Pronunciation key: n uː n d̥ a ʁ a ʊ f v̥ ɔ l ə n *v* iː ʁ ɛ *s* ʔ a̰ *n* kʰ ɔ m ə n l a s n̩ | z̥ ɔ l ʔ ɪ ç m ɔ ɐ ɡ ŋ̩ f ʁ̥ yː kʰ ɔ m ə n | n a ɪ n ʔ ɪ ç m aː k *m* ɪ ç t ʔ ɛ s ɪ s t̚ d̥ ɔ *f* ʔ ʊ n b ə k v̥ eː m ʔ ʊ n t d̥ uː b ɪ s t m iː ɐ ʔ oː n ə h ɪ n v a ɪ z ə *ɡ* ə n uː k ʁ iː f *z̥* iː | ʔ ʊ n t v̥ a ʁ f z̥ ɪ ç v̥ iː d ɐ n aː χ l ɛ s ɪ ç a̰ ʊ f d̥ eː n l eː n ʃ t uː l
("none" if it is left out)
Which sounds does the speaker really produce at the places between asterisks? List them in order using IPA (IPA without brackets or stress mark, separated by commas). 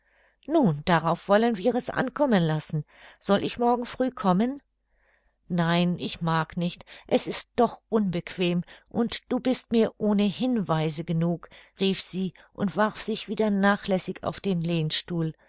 v, s, n, n, χ, ɡ, z̥